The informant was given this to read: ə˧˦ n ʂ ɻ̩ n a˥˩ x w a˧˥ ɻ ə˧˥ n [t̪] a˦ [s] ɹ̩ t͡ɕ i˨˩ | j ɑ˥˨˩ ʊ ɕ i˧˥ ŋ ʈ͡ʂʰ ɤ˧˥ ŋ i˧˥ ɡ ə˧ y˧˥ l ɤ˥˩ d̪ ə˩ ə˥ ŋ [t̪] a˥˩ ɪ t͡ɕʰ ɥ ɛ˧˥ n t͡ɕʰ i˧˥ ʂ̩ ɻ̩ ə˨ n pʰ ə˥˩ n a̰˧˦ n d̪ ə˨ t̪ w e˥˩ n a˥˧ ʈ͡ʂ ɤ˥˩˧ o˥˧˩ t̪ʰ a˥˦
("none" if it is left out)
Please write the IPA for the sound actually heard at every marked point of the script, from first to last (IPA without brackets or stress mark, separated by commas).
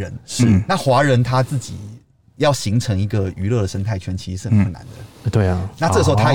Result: t̪ʰ, t͡s, t̪ʰ